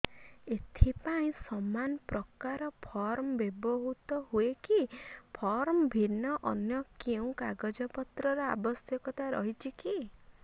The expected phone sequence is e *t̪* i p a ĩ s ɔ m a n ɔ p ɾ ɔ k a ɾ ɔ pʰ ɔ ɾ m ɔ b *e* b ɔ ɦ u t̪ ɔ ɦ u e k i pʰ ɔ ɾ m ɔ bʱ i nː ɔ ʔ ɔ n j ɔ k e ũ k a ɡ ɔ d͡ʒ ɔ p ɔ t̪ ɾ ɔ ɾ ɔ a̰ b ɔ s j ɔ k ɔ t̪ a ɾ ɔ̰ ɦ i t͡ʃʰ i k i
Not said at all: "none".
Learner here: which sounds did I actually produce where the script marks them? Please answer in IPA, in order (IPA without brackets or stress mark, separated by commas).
t̪ʰ, e